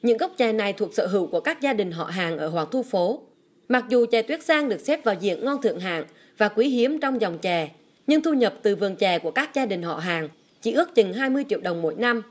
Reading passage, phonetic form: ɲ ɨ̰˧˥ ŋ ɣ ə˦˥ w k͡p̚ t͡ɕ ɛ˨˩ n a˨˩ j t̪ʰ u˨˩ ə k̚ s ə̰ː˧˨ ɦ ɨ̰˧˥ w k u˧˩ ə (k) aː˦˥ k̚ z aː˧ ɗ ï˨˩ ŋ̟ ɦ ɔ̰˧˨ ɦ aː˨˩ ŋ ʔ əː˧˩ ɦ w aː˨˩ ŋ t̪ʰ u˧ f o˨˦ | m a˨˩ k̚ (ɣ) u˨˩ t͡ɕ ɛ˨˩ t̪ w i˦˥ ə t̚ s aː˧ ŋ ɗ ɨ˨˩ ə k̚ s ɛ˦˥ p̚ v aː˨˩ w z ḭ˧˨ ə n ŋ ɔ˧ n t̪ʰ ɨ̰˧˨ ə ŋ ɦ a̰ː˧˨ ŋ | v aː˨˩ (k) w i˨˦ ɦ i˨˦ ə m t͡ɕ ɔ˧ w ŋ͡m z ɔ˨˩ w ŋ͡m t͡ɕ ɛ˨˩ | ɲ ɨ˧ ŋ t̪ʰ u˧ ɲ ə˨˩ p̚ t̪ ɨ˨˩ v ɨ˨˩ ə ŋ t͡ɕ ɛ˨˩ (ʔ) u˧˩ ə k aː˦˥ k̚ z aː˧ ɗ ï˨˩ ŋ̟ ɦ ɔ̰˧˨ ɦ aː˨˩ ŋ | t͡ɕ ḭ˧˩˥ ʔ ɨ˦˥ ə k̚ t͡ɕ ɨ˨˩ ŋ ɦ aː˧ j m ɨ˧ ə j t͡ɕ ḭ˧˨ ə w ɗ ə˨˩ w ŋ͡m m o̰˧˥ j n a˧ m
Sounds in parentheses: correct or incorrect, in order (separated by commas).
correct, incorrect, correct, incorrect